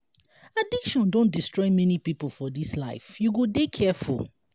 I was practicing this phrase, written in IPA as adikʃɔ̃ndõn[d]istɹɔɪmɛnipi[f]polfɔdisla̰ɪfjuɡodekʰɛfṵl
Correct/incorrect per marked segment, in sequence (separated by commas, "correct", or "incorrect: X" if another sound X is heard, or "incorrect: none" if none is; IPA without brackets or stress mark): correct, incorrect: none